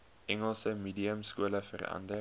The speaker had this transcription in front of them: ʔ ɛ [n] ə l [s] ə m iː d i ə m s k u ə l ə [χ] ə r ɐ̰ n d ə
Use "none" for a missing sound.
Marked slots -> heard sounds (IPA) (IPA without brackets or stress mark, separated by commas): ŋ, s, f